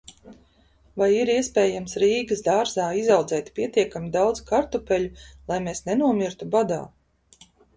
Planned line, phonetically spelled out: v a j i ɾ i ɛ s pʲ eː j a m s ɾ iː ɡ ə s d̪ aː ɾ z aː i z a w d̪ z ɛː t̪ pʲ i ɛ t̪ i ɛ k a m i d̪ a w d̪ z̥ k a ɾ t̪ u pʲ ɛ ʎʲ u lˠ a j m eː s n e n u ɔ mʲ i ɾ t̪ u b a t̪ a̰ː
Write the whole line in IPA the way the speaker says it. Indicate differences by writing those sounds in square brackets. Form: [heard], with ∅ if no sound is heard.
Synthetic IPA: v a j i ɾ i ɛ s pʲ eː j a m s ɾ iː ɡ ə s d̪ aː ɾ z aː i z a w d̪ z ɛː t̪ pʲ i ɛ t̪ i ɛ k a m i d̪ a w d̪ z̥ k a ɾ t̪ u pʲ ɛ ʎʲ u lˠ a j m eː s n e n u ɔ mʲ i ɾ t̪ u b a [d̪] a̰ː